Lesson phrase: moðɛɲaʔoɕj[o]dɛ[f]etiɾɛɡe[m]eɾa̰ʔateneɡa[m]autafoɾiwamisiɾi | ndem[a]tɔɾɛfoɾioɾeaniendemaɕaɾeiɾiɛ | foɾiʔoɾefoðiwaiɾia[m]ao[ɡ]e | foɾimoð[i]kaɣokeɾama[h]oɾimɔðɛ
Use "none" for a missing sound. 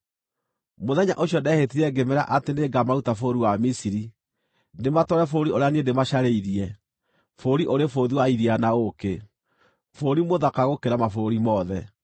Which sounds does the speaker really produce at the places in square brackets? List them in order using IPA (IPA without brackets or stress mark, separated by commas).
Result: ɔ, h, m, m, a, n, k, a, f